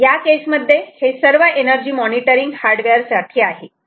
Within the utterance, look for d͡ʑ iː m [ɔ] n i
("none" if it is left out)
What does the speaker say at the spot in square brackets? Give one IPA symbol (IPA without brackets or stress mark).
ɔ